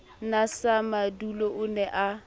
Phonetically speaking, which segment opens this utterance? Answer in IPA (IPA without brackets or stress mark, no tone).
n